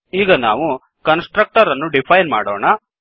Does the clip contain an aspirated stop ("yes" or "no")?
yes